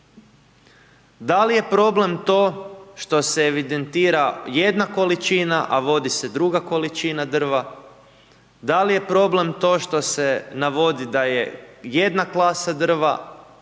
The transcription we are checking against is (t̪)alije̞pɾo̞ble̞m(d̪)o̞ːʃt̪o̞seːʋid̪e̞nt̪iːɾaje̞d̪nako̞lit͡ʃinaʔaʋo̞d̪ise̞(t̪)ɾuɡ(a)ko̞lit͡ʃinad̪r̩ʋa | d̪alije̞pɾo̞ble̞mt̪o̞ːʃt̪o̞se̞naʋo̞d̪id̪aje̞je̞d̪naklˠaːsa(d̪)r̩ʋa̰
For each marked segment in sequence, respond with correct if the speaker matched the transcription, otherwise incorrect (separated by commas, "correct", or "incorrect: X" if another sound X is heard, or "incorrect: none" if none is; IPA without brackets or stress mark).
incorrect: d̪, incorrect: t̪, incorrect: d̪, correct, correct